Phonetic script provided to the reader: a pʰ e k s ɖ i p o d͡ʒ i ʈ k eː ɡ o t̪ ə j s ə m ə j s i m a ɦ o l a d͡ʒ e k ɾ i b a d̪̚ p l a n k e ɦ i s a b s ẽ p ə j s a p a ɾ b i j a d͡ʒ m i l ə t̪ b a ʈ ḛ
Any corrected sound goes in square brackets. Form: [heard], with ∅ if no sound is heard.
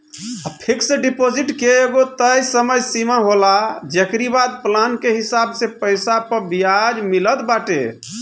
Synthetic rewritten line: a pʰ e k s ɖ i p o d͡ʒ i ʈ k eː ɡ o t̪ ə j s ə m ə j s i m a ɦ o l a d͡ʒ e k ɾ i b a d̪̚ p l a n k e ɦ i s a b s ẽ p ə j s a p [ə] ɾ b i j a d͡ʒ m i l ə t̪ b a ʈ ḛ